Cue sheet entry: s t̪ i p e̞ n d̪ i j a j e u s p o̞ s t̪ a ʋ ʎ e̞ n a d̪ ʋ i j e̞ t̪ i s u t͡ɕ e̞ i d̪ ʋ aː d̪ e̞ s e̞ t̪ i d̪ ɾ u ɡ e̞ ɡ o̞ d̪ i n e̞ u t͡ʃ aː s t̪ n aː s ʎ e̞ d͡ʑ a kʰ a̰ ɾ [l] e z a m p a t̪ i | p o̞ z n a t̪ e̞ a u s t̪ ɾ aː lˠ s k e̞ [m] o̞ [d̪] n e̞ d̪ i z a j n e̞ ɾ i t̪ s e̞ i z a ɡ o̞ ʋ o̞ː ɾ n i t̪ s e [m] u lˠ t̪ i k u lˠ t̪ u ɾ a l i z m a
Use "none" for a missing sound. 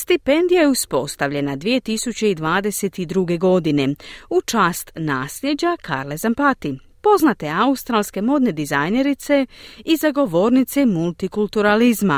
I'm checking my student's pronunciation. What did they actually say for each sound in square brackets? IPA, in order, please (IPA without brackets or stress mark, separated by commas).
l, m, d̪, m